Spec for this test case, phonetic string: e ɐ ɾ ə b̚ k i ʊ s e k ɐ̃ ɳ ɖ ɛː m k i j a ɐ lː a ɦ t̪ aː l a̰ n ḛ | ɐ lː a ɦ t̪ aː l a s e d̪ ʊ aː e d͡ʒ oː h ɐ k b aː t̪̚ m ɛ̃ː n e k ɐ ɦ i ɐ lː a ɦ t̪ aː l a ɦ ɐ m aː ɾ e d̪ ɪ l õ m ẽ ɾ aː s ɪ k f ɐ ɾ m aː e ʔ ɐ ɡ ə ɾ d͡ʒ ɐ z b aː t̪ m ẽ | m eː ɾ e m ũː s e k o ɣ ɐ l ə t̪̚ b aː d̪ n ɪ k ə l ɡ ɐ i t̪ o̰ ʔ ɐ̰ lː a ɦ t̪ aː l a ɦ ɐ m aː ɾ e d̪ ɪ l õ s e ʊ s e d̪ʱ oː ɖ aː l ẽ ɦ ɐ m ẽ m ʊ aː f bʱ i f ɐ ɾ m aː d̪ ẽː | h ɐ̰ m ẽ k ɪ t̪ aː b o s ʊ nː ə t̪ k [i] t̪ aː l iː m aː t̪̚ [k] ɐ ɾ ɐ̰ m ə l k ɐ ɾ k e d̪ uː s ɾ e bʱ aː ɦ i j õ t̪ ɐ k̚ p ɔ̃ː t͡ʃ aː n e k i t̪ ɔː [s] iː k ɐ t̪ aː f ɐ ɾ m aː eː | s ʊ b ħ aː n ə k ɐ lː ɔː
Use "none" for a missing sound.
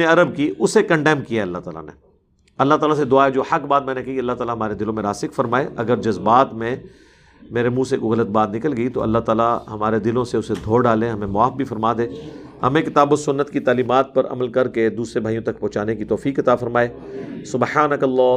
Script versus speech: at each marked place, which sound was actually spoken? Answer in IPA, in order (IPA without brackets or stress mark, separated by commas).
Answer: i, p, f